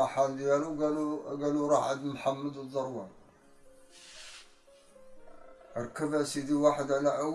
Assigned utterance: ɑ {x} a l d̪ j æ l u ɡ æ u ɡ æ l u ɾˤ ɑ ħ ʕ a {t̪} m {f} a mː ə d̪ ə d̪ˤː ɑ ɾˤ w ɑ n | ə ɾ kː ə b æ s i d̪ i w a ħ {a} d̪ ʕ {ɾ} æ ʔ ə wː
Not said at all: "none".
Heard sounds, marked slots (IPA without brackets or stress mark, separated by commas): ħ, d̪, ħ, ə, l